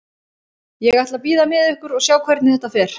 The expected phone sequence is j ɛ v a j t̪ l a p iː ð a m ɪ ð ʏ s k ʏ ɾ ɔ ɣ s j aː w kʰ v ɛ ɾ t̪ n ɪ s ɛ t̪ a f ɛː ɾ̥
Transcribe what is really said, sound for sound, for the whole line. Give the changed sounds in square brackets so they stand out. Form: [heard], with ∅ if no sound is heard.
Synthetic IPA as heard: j ɛ [ɣ] a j t̪ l a p iː ð a m ɪ ð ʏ [h] k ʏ ɾ ɔ ɣ s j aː w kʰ v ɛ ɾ t̪ n ɪ [θ] ɛ t̪ a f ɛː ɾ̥

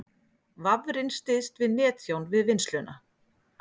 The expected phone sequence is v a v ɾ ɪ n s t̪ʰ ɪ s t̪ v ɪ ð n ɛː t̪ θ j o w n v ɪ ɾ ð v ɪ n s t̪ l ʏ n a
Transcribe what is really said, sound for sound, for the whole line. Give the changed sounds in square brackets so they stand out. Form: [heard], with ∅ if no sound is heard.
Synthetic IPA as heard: v a v ɾ ɪ n s [t̪] ɪ s t̪ v ɪ ð n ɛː t̪ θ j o w n v ɪ [∅] ð v ɪ n s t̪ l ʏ n a

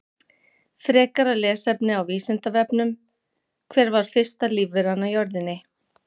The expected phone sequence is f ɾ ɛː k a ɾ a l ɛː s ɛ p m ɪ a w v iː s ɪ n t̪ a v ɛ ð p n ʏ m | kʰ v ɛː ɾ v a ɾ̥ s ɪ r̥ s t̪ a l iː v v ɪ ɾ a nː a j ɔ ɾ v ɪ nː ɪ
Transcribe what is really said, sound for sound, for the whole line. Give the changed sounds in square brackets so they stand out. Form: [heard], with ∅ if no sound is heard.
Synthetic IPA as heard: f ɾ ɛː k a ɾ a l ɛː s ɛ p [n] ɪ a w v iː s ɪ n t̪ a v ɛ [∅] p n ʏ m | kʰ v ɛː ɾ v a ɾ̥ [f] ɪ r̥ s t̪ a l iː v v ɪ ɾ a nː a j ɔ ɾ [ð] ɪ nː ɪ

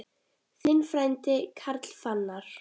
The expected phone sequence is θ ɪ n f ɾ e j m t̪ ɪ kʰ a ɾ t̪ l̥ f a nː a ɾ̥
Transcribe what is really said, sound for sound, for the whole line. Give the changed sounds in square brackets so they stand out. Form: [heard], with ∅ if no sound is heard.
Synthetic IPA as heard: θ ɪ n f ɾ [a] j [n] t̪ ɪ kʰ a ɾ t̪ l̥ f a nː a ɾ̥

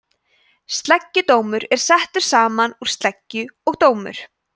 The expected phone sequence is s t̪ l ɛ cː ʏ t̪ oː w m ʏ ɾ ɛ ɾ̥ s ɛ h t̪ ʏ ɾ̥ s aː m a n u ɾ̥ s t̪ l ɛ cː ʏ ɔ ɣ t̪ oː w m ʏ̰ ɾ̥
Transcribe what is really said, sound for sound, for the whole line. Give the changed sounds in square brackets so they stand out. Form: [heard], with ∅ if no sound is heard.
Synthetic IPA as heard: s t̪ l ɛ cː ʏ t̪ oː w m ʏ ɾ ɛ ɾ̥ s ɛ h t̪ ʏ ɾ̥ s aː m a n u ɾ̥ s t̪ l ɛ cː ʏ ɔ ɣ t̪ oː w m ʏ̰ ɾ̥

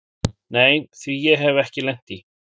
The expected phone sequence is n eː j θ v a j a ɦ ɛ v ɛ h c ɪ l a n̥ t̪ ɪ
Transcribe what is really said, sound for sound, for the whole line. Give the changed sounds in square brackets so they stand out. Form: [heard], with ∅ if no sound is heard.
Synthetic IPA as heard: n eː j θ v [i] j [ɛ] ɦ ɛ v ɛ h c ɪ l [ɛ] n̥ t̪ [i]

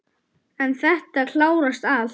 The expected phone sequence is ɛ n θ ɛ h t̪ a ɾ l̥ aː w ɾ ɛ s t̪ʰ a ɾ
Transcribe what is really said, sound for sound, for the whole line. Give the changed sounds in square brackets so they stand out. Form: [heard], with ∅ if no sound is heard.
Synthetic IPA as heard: ɛ n θ ɛ h t̪ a ɾ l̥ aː w ɾ [a] s [t̪] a [l]

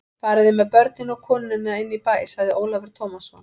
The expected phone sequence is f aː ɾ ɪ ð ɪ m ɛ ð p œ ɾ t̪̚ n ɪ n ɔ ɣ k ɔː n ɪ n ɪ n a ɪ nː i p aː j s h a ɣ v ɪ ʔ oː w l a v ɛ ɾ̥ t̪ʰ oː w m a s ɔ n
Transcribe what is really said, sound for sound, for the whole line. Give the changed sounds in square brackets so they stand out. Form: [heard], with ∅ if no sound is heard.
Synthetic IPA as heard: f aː ɾ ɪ ð ɪ m ɛ ð p œ ɾ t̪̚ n ɪ n ɔ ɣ [kʰ] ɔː n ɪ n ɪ n a ɪ nː i p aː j s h a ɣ [ð] ɪ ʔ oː w l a v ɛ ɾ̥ t̪ʰ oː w m a s ɔ n

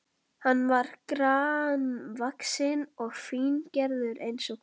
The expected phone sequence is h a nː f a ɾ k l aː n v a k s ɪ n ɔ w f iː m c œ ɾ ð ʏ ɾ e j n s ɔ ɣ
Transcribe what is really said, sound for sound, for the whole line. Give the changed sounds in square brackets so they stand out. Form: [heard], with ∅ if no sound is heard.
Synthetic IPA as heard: h a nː [v] a ɾ k [ɾ] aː n v a k s ɪ n ɔ [ɣ] f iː [n] c [ɛ] ɾ ð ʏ ɾ e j n s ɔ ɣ

